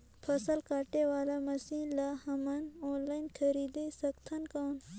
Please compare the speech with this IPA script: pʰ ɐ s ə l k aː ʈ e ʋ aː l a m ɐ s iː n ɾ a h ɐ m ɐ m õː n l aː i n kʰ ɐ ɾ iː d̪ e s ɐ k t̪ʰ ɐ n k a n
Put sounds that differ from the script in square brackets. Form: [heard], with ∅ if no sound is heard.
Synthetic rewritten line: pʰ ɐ s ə l k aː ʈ e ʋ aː l a m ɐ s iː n [l] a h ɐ m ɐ [n] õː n l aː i n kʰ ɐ ɾ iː d̪ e s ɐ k t̪ʰ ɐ n k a n